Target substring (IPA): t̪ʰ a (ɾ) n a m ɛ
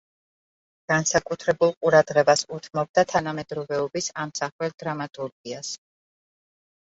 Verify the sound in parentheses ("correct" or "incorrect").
incorrect